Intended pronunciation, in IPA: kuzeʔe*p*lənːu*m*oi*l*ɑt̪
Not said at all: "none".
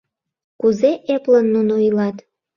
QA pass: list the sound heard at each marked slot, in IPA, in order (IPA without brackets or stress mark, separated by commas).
p, n, l